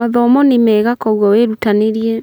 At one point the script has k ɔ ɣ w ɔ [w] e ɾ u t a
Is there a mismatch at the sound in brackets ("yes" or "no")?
no